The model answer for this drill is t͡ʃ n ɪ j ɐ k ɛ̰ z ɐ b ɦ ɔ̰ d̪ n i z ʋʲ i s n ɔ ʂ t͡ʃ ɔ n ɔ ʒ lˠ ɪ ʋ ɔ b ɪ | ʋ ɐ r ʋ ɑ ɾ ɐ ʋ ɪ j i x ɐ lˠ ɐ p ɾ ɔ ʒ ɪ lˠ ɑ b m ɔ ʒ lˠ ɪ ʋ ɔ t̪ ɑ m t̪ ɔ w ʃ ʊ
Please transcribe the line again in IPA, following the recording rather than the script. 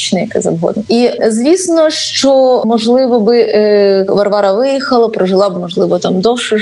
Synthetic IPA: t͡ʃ n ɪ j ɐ k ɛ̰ z ɐ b ɦ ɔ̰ d̪ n i z ʋʲ i s n ɔ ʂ t͡ʃ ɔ m ɔ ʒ lˠ ɪ ʋ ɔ b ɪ | ʋ ɐ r ʋ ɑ ɾ ɐ ʋ ɪ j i x ɐ lˠ ɐ p ɾ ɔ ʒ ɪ lˠ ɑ b m ɔ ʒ lˠ ɪ ʋ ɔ t̪ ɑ m d̪ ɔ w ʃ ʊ